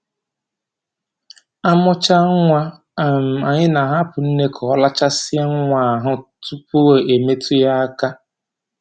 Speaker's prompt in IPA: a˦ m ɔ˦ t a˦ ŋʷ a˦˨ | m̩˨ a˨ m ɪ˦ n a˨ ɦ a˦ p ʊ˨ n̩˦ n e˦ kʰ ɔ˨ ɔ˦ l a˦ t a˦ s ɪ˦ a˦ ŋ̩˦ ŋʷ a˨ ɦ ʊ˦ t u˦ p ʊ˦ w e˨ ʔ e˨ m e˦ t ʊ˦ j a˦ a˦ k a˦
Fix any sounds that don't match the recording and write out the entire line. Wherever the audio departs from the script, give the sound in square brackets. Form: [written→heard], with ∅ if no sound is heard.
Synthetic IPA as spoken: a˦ m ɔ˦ [t→t͡ʃ] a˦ ŋʷ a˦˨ | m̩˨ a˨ [m→ɲ] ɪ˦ n a˨ ɦ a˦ p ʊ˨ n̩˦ n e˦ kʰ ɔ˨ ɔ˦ l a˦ [t→t͡ʃ] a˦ s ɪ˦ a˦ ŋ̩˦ ŋʷ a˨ ɦ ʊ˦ t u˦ p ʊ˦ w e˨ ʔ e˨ m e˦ t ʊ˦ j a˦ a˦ k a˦